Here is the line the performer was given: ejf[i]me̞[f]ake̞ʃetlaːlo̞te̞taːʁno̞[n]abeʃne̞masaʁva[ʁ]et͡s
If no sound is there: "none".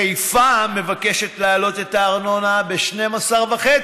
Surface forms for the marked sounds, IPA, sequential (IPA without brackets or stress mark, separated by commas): a, v, n, χ